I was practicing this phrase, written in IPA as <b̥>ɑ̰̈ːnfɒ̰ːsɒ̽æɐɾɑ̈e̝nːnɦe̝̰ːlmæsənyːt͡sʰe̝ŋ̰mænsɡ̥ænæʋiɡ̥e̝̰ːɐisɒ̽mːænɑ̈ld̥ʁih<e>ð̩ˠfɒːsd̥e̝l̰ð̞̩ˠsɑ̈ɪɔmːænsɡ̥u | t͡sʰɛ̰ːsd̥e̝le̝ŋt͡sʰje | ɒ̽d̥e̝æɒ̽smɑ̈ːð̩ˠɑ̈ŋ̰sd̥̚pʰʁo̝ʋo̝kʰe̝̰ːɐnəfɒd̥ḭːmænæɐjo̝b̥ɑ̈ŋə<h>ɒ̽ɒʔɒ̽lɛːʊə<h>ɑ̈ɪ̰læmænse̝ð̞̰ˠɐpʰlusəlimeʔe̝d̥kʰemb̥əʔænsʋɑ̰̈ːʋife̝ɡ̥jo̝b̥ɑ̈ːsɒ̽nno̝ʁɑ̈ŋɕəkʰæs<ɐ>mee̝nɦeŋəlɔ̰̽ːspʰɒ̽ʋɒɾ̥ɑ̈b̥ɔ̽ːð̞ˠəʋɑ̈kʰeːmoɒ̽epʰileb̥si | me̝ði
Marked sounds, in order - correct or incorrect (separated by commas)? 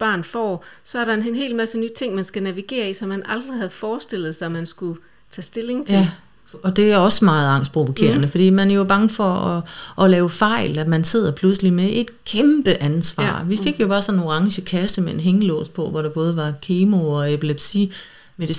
correct, incorrect, incorrect, incorrect, incorrect